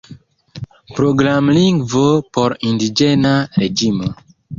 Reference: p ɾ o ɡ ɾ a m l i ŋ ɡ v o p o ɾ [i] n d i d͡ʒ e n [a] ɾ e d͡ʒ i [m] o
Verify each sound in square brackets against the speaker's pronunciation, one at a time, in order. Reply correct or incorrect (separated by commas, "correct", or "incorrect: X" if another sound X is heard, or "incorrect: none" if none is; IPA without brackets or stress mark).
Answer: correct, correct, correct